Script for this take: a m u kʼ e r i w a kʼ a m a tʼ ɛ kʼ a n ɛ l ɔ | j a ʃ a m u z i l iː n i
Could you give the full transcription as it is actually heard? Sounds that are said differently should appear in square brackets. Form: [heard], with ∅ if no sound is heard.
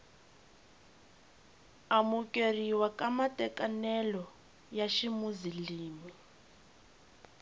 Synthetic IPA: a m u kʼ e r i w a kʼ a m a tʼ ɛ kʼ a n ɛ l ɔ | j a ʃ [i] m u z i l iː [m] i